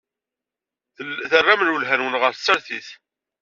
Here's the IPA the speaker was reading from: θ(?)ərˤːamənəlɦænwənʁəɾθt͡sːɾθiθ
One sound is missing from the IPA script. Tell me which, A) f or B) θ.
B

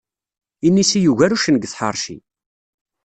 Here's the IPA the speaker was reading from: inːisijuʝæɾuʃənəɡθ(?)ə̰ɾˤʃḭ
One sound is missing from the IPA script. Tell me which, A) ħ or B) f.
A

